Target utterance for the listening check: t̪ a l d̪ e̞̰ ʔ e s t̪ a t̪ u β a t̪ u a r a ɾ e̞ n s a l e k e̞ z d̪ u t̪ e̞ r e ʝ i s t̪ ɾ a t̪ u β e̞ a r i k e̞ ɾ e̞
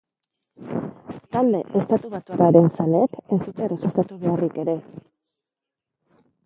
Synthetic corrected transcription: t̪ a l d̪ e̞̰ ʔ e s t̪ a t̪ u β a t̪ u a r a ɾ e̞ n s a l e k e̞ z d̪ u t̪ e̞ r e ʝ i s t̪ ɾ a t̪ u β e̞ a r i k e̞ ɾ e̞

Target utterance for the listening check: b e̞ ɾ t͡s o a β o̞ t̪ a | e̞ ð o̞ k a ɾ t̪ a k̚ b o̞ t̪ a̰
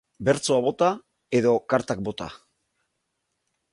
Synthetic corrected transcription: b e̞ ɾ t͡s o a β o̞ t̪ a | e̞ ð o̞ k a ɾ t̪ a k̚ b o̞ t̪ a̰

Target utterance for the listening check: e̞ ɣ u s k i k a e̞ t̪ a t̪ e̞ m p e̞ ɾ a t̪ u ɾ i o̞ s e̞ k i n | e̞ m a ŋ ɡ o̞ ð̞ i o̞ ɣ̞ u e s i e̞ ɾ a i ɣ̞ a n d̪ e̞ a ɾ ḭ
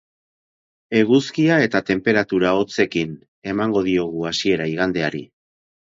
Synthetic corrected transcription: e̞ ɣ u s k i a e̞ t̪ a t̪ e̞ m p e̞ ɾ a t̪ u ɾ a o̞ t͡s e̞ k i n | e̞ m a ŋ ɡ o̞ ð̞ i o̞ ɣ̞ u a s i e̞ ɾ a i ɣ̞ a n d̪ e̞ a ɾ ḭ

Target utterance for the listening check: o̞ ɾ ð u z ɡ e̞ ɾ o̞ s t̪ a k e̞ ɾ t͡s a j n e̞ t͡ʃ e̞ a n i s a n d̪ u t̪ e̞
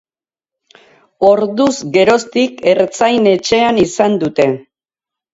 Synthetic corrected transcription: o̞ ɾ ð u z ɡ e̞ ɾ o̞ s t̪ i k e̞ ɾ t͡s a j n e̞ t͡ʃ e̞ a n i s a n d̪ u t̪ e̞

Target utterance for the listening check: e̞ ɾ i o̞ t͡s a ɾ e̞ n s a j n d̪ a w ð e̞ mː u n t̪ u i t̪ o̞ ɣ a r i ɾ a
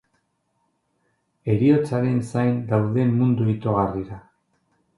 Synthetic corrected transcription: e̞ ɾ i o̞ t͡s a ɾ e̞ n s a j n d̪ a w ð e̞ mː u n d̪ u i t̪ o̞ ɣ a r i ɾ a

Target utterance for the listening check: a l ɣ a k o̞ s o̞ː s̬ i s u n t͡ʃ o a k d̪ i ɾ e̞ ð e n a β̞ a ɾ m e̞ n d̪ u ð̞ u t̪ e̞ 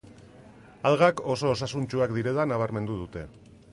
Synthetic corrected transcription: a l ɣ a k o̞ s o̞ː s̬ a s u n t͡ʃ u a k d̪ i ɾ e̞ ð a n a β̞ a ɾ m e̞ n d̪ u ð̞ u t̪ e̞

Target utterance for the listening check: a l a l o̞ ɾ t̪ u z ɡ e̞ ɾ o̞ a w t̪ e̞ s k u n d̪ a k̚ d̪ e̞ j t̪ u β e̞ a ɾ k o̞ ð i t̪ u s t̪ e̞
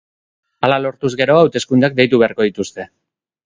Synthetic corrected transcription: a l a l o̞ ɾ t̪ u z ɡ e̞ ɾ o̞ a w t̪ e̞ s k u n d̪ a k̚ d̪ e̞ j t̪ u β e̞ a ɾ k o̞ ð i t̪ u s t̪ e̞

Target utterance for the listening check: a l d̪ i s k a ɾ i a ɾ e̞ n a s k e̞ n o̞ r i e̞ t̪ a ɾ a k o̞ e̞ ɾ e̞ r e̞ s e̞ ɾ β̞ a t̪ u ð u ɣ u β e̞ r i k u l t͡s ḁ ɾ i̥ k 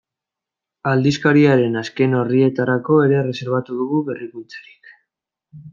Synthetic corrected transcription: a l d̪ i s k a ɾ i a ɾ e̞ n a s k e̞ n o̞ r i e̞ t̪ a ɾ a k o̞ e̞ ɾ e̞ r e̞ s e̞ ɾ β̞ a t̪ u ð u ɣ u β e̞ r i k u l t͡s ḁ ɾ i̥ k

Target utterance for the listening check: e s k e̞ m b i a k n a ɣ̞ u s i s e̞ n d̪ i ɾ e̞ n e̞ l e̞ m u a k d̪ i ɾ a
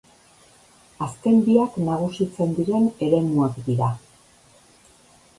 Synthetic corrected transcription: a s k e̞ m b i a k n a ɣ̞ u s i t͡s e̞ n d̪ i ɾ e̞ n e̞ ɾ e̞ m u a k d̪ i ɾ a

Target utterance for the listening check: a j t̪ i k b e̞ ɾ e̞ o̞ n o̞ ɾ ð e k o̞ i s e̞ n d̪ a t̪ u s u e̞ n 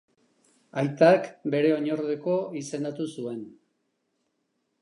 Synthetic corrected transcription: a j t̪ a k b e̞ ɾ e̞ o̞ ɲ o̞ ɾ ð e k o̞ i s e̞ n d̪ a t̪ u s u e̞ n

